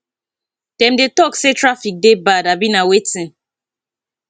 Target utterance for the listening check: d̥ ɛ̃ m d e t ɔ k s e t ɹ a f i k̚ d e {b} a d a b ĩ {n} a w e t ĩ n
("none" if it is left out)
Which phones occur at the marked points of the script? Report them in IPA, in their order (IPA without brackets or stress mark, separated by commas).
b, n